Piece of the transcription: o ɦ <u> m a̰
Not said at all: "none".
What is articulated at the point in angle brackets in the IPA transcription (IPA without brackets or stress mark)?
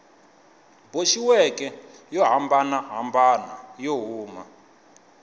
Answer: uː